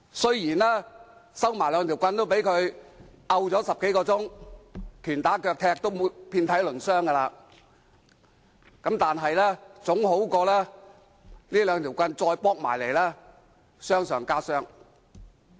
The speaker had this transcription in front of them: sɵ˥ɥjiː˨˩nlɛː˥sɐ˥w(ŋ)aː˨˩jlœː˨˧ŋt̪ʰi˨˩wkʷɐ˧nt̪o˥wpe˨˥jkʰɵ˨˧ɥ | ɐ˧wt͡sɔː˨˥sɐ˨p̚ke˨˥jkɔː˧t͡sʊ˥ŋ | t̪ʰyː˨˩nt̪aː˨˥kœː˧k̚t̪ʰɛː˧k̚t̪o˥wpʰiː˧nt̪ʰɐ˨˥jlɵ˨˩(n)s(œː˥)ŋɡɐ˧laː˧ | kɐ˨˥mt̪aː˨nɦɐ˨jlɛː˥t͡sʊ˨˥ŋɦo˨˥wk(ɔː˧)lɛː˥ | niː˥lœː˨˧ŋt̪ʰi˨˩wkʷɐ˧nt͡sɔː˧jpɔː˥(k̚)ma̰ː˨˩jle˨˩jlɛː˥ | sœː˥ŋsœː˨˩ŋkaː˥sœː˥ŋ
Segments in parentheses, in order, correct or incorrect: incorrect: m, correct, correct, correct, correct

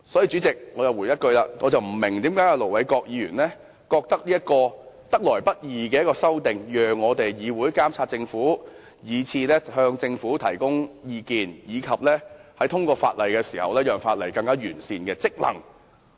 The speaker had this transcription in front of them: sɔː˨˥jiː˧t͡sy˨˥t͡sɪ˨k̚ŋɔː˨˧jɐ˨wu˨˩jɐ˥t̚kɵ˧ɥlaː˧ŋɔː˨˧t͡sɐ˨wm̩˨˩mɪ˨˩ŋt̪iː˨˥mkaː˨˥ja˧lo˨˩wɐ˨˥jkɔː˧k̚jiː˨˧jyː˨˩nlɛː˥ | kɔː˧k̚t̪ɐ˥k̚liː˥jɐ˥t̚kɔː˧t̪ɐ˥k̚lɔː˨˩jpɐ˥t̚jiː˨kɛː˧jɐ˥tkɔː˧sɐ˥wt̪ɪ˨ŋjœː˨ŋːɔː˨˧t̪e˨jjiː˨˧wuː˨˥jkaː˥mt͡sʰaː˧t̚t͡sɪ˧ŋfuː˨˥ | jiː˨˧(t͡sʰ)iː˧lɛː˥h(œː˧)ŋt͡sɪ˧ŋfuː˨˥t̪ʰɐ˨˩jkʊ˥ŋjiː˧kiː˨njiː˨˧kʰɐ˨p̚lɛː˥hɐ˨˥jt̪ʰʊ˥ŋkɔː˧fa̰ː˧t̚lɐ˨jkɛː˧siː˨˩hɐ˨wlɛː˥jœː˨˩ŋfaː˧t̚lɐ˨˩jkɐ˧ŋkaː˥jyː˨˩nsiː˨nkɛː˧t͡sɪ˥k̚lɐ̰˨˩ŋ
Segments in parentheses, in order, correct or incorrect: correct, correct

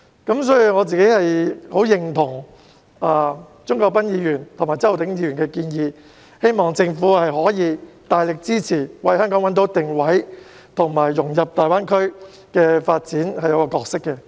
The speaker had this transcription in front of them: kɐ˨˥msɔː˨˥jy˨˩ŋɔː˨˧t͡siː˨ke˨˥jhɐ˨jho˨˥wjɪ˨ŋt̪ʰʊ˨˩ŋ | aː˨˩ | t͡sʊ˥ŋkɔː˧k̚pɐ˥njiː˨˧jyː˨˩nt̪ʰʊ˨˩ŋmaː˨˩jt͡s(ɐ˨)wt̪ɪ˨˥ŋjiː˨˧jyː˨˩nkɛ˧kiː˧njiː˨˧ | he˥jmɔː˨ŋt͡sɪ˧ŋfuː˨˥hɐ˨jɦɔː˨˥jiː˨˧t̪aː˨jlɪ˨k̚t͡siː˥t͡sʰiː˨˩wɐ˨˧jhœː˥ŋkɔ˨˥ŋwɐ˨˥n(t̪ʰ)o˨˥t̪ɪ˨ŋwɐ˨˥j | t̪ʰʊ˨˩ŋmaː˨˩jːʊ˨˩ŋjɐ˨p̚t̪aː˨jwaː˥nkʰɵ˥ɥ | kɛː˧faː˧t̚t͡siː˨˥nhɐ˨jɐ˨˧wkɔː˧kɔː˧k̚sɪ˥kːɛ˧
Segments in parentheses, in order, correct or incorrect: incorrect: ɐ˥, incorrect: t̪

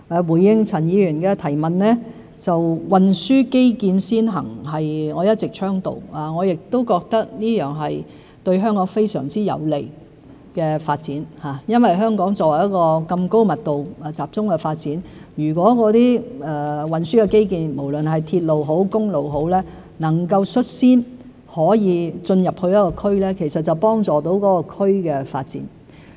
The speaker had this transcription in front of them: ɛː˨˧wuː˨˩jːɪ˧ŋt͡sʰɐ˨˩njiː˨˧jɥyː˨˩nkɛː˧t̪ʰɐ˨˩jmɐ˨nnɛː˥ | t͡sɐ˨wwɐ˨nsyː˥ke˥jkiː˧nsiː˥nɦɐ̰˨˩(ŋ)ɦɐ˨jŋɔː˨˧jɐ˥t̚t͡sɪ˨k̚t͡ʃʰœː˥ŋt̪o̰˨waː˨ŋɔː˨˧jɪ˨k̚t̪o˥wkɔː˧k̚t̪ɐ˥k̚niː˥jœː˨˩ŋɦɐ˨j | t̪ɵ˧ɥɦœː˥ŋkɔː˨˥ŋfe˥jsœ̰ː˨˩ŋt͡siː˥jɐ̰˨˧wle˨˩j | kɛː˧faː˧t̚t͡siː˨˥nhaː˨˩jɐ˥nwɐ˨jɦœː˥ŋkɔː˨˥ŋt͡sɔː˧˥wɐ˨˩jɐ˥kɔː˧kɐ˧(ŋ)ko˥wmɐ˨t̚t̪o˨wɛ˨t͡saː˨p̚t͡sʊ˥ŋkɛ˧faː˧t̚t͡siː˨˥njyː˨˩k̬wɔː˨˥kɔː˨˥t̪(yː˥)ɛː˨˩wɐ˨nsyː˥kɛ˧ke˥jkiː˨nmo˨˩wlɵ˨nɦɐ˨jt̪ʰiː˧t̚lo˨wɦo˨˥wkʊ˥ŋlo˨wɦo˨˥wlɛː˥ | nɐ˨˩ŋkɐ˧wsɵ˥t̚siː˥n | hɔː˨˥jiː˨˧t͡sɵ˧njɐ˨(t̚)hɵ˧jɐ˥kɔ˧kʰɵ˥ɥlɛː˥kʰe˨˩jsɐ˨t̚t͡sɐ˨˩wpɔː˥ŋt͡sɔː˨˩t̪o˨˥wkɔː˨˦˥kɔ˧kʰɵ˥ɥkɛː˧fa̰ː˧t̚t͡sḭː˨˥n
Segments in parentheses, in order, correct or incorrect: correct, incorrect: m, incorrect: iː˥, incorrect: p̚

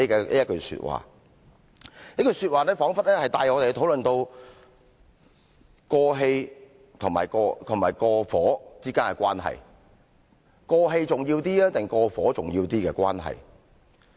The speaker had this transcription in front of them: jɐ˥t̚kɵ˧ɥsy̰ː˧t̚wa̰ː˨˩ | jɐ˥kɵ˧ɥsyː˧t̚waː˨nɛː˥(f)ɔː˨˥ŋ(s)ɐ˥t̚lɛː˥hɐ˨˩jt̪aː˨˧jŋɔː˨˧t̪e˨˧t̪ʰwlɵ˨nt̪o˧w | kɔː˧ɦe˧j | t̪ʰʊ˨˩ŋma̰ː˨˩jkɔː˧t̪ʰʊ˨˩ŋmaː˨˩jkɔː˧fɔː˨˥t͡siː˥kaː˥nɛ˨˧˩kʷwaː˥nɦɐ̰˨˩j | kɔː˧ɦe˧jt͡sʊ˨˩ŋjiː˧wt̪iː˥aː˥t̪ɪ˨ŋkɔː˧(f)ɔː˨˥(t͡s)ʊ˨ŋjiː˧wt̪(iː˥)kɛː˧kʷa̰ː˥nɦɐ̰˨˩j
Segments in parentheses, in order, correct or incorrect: correct, incorrect: f, correct, correct, correct

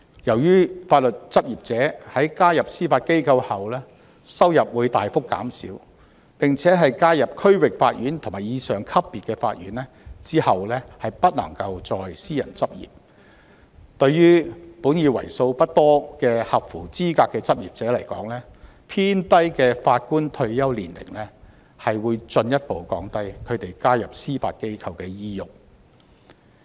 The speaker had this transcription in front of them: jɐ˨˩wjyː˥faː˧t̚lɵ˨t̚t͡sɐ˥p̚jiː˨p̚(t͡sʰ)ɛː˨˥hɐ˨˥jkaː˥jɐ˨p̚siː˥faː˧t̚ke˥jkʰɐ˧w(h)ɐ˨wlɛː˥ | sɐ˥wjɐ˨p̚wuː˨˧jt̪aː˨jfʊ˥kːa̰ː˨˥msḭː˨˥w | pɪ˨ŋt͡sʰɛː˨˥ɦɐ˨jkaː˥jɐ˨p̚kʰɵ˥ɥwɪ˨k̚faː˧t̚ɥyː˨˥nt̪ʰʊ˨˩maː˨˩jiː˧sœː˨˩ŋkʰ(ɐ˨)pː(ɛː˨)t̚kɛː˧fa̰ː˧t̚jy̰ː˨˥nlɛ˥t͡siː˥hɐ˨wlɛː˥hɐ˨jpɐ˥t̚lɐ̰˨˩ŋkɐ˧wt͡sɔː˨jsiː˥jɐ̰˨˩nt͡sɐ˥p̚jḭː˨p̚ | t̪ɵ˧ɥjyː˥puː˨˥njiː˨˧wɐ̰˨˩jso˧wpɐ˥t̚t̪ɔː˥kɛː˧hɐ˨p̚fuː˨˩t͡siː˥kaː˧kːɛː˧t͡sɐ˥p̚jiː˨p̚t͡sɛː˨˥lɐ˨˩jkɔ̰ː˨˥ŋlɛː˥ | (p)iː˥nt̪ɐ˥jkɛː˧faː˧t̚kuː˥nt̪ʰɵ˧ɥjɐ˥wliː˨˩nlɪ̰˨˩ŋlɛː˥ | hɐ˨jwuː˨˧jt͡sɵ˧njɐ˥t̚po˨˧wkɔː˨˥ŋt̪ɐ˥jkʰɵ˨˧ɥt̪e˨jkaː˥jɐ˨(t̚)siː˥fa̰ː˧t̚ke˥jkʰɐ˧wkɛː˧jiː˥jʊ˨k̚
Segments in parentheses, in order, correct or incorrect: incorrect: t͡s, correct, incorrect: ɐ˥, incorrect: iː˨, incorrect: pʰ, incorrect: p̚

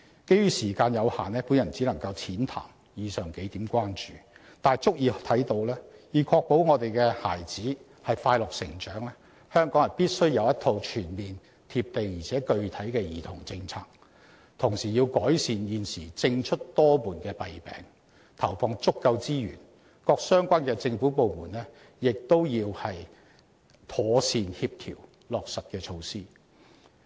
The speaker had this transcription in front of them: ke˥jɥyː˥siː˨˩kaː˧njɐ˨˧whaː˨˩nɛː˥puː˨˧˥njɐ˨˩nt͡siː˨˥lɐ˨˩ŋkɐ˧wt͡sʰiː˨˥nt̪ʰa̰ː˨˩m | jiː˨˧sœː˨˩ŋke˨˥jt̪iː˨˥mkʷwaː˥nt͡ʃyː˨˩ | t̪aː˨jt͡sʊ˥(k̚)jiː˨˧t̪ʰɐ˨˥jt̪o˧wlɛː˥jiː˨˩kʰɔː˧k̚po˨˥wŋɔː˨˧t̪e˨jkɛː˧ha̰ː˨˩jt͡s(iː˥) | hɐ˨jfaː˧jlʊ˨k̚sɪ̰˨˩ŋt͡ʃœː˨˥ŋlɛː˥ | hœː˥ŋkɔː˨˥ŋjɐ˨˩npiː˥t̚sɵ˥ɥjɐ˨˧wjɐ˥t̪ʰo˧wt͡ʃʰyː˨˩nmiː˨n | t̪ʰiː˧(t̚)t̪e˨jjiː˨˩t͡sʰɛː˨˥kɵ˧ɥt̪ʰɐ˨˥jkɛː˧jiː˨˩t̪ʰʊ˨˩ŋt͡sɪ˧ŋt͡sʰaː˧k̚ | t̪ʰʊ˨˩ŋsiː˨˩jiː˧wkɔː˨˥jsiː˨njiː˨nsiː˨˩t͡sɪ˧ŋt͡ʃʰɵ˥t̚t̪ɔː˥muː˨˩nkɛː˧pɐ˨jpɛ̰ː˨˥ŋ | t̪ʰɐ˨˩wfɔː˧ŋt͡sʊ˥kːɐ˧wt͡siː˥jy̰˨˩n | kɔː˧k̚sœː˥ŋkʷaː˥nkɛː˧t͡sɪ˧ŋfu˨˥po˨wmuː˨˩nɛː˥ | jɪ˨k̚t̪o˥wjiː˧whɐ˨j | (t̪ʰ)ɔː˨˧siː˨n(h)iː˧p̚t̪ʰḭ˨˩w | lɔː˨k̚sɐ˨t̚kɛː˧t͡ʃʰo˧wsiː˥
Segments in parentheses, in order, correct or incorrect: correct, incorrect: iː˨˥, incorrect: p̚, correct, correct

